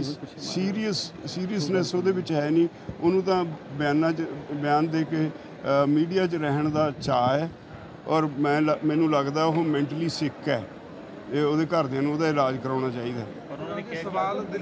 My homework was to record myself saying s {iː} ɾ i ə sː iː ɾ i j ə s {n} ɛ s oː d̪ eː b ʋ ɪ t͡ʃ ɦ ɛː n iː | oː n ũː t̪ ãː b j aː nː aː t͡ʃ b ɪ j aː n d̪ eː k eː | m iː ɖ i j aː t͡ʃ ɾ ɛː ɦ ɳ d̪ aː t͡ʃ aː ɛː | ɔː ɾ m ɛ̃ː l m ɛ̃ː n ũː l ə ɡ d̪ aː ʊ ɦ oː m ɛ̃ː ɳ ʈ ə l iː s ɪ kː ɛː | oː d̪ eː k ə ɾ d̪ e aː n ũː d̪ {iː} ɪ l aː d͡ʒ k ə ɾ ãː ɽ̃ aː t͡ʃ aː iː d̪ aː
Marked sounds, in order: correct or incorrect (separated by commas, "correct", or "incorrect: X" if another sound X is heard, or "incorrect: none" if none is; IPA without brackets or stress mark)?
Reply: correct, correct, incorrect: aː